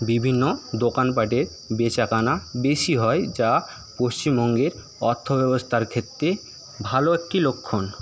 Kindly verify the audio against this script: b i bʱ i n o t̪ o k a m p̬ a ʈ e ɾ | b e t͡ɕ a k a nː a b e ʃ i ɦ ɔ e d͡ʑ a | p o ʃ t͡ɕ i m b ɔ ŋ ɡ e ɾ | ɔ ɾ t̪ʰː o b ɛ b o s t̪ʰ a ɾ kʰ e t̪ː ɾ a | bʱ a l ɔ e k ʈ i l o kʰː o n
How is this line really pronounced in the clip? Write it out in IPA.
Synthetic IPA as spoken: b i bʱ i nː o d̪ o k a n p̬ a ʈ e ɾ | b e t͡ɕ a k a n a b e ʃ i ɦ ɔ e d͡ʑ a | p o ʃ t͡ɕ i m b ɔ ŋ ɡ e ɾ | ɔ ɾ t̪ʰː o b ɛ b o s t̪ʰ a ɾ kʰ e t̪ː ɾ e | bʱ a l o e k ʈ i l o kʰː o n